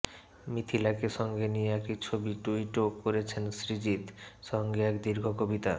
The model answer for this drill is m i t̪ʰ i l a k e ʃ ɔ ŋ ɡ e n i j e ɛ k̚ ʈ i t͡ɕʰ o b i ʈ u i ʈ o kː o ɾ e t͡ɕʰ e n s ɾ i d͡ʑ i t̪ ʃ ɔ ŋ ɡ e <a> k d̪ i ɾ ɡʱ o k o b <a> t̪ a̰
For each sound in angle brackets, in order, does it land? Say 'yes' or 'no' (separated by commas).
no, no